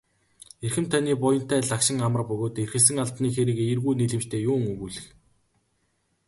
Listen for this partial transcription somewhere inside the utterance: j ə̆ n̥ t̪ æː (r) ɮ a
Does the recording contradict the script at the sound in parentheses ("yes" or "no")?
yes